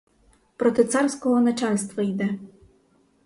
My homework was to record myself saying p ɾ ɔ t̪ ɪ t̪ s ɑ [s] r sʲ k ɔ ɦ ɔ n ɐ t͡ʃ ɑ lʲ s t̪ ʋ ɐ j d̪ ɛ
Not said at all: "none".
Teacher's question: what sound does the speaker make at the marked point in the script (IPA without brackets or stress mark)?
none